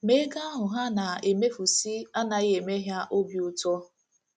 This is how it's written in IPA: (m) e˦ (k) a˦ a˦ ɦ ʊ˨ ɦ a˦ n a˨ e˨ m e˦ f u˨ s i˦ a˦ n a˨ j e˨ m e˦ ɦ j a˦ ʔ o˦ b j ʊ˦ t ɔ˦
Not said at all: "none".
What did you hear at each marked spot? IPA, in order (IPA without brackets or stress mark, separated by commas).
m, ɡ